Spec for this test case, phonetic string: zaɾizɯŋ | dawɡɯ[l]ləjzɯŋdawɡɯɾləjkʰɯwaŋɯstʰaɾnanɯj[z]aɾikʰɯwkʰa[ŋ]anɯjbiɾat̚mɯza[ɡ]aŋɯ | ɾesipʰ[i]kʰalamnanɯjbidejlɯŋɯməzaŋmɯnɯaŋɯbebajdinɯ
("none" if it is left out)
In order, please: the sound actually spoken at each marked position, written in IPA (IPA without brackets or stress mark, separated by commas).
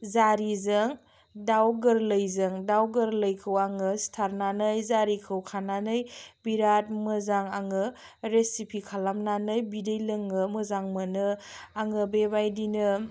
ɾ, z, n, ŋ, i